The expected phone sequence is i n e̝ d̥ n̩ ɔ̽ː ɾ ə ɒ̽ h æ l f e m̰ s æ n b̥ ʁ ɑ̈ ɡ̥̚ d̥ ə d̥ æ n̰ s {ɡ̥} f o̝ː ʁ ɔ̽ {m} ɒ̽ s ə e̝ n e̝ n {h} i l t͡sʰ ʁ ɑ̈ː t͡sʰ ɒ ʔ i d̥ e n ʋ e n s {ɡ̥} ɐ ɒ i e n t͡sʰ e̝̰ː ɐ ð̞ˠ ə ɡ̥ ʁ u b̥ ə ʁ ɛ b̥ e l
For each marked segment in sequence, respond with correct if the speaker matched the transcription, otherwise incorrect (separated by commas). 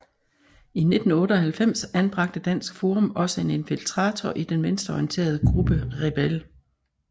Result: correct, correct, incorrect, incorrect